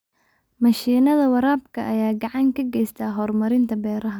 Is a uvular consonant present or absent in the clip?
absent